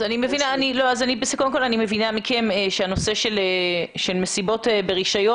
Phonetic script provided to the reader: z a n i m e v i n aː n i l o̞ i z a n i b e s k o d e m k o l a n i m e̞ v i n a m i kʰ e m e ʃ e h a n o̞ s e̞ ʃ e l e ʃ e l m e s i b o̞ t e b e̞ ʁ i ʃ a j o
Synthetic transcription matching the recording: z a n i m e v i n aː n i l o̞ a z a n i b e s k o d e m k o l a n i m e̞ v i n a m i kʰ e m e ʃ e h a n o̞ s e̞ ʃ e l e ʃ e l m e s i b o̞ t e b e̞ ʁ i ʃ a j o